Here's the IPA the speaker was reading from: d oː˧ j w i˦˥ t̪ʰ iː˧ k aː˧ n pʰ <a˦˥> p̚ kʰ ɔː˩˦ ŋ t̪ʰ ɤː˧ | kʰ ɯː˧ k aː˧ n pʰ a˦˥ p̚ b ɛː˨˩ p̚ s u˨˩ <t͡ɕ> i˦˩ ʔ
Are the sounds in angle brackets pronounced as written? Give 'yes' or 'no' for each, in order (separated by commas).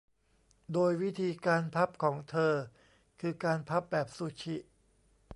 yes, no